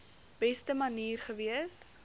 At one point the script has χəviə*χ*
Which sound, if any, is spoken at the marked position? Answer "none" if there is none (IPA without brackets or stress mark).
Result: s